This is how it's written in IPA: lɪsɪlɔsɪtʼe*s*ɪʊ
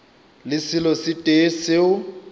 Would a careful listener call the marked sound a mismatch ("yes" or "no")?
no